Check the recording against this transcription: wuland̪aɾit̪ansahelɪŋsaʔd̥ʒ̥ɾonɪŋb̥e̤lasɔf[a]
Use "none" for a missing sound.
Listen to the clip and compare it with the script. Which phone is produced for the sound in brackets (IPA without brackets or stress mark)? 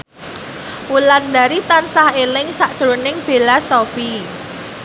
i